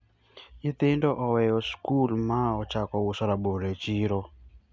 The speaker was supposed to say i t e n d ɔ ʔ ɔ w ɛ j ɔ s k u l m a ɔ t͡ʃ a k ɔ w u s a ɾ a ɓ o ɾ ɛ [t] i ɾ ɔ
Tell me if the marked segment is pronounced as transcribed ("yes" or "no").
no